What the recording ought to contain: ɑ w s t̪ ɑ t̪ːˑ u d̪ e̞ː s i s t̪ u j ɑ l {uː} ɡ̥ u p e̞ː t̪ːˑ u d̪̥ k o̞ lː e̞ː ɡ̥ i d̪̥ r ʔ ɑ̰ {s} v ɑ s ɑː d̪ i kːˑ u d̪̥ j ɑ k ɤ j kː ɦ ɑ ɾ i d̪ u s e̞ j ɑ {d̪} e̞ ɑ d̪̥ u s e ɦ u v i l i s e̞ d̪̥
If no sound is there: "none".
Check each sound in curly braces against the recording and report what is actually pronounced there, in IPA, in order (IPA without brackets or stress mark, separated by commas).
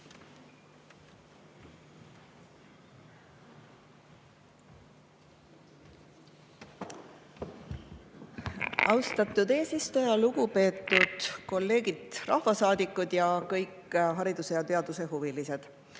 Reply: u, h, t̪